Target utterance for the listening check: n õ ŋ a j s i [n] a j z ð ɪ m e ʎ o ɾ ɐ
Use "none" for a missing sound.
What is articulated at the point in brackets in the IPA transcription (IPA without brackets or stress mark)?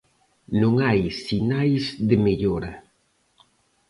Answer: n